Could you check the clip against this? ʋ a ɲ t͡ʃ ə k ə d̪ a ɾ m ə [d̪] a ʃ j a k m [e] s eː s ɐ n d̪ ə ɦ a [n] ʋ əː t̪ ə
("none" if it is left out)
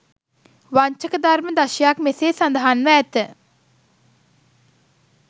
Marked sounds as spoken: d̪, e, n

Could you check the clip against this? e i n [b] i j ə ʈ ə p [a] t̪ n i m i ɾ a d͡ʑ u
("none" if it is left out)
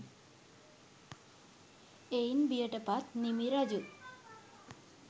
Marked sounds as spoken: b, a

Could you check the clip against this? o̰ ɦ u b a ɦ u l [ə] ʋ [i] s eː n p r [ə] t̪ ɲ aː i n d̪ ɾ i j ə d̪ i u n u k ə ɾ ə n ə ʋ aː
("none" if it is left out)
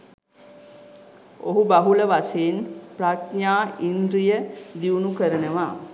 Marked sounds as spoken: ə, a, a

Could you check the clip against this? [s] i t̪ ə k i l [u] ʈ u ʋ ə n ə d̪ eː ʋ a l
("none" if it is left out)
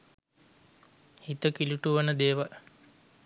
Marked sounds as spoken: h, u

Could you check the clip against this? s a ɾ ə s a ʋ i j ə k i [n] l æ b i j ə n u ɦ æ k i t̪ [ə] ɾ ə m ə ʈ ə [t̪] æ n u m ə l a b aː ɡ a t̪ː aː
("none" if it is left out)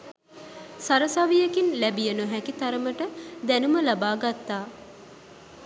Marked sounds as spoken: n, a, d̪

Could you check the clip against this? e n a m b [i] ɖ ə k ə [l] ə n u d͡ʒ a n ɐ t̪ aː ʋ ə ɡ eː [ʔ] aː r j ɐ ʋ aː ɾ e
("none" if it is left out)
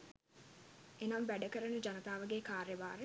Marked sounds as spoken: æ, ɾ, k

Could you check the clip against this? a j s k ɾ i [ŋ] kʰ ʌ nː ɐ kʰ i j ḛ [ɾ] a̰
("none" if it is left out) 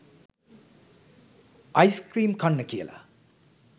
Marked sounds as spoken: m, l

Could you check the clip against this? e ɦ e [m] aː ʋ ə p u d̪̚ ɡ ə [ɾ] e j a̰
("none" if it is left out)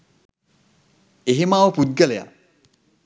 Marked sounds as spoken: m, l

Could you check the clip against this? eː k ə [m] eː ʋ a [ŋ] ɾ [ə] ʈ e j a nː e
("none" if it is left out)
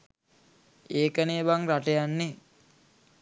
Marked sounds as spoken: n, ŋ, a

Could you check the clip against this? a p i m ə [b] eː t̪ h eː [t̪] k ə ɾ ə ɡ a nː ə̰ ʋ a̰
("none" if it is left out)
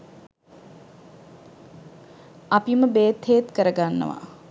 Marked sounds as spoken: b, t̪

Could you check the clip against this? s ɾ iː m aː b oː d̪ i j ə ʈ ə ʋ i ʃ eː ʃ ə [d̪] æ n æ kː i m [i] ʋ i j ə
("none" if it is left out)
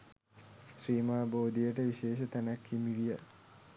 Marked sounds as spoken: t̪, i

